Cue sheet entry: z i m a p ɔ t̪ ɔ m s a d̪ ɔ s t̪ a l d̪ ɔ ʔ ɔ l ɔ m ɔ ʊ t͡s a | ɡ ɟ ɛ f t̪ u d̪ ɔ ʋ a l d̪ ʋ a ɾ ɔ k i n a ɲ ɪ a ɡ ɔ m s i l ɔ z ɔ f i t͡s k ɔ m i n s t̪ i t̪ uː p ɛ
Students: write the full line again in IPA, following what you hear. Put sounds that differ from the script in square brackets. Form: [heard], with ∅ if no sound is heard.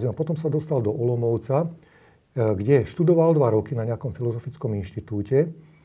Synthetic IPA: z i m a p ɔ t̪ ɔ m s a d̪ ɔ s t̪ a l d̪ ɔ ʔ ɔ l ɔ m ɔ ʊ t͡s a | ɡ ɟ ɛ [ʃ] t̪ u d̪ ɔ ʋ a l d̪ ʋ a ɾ ɔ k i n a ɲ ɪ a [k] ɔ m [f] i l ɔ z ɔ f i t͡s k ɔ m i n [ʃ] t̪ i t̪ uː [c] ɛ